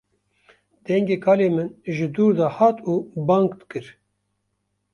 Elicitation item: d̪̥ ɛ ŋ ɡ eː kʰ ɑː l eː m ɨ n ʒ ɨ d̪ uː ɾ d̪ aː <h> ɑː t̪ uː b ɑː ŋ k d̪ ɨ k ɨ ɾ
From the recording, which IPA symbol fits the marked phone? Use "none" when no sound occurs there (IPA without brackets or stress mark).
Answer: h